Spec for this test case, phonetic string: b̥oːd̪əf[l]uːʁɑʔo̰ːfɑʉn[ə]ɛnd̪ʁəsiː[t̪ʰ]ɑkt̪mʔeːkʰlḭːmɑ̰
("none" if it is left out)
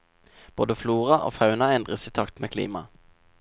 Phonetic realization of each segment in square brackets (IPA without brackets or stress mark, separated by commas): l, ɑ, t̪ʰ